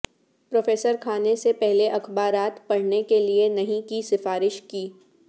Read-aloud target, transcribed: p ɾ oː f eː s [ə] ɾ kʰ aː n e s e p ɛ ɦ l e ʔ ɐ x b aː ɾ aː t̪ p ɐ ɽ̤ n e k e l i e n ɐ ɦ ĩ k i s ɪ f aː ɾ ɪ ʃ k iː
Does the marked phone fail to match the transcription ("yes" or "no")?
no